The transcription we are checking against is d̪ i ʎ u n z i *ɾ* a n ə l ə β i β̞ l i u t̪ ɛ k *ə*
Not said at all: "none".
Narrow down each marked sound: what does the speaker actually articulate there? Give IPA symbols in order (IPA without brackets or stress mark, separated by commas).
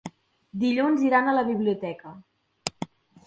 ɾ, ə